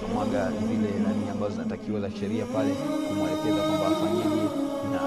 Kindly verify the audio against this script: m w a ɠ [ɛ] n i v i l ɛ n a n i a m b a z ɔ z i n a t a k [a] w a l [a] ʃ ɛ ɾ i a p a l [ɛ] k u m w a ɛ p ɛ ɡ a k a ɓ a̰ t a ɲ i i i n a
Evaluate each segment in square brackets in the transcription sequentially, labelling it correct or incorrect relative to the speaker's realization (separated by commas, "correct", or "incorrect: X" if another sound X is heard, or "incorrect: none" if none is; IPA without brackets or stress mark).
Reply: incorrect: a, incorrect: i, correct, correct